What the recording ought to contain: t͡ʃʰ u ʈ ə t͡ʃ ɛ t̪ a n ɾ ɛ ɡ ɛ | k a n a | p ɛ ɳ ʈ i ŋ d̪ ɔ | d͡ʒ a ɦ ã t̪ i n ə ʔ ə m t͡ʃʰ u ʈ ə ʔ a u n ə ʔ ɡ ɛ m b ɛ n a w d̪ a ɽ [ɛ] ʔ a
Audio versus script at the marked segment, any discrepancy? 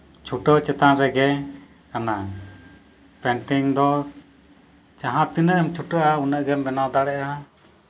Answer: no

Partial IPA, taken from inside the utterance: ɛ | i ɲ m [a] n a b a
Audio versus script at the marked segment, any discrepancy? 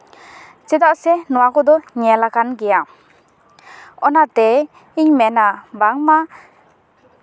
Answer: yes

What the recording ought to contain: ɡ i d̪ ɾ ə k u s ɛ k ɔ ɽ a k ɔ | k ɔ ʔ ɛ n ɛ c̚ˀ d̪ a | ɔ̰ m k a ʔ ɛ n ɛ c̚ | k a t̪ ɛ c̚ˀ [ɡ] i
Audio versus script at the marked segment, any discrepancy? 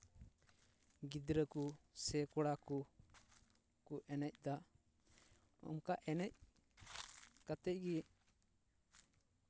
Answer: no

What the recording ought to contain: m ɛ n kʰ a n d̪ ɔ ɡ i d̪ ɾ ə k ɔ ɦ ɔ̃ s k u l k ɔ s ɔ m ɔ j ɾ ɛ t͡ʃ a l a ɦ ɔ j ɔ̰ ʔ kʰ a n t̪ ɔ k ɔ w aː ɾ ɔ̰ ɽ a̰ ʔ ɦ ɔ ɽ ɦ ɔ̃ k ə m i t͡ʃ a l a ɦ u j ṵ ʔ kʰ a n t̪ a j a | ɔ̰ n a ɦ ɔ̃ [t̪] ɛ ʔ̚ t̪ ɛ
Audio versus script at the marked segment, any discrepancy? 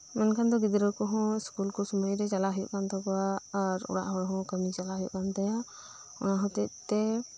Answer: no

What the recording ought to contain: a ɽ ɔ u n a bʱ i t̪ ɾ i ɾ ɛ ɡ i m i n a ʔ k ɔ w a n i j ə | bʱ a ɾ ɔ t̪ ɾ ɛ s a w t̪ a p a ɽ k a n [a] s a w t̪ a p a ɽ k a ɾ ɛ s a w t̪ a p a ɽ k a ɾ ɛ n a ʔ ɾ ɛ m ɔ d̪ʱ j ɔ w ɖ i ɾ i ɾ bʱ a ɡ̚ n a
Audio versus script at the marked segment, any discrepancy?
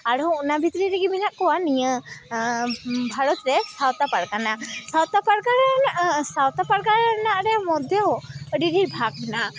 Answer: no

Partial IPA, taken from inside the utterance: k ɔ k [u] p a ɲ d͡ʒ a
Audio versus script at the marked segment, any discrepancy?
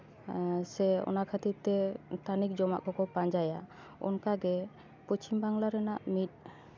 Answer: yes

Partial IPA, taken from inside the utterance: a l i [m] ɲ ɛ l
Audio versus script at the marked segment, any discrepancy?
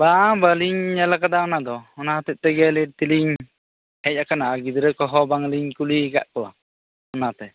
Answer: yes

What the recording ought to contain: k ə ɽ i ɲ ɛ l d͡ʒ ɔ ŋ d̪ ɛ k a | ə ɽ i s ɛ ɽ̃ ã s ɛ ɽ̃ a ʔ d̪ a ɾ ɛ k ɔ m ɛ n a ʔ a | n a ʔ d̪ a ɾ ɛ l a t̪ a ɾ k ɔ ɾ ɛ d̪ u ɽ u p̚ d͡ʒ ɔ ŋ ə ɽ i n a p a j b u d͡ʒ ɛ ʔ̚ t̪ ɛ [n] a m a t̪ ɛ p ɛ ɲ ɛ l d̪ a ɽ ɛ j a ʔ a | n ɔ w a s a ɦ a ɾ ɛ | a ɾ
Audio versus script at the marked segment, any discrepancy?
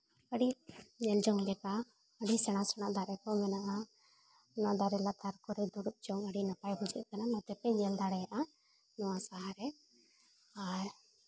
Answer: no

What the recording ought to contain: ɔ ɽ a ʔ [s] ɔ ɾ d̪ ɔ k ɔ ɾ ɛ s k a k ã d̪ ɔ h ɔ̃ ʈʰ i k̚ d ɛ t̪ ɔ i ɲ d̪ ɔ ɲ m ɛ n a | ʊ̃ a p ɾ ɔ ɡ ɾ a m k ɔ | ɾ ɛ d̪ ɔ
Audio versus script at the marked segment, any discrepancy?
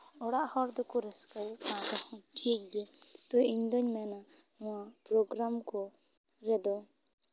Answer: yes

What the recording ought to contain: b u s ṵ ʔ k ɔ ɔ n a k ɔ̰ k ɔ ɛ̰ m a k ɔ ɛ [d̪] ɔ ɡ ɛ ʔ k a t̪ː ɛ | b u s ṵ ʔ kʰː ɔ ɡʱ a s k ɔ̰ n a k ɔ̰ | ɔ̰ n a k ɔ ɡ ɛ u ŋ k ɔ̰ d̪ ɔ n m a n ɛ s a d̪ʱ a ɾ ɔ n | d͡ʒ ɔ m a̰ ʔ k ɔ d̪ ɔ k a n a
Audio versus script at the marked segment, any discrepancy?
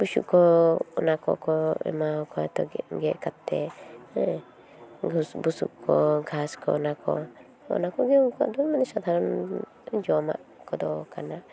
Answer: yes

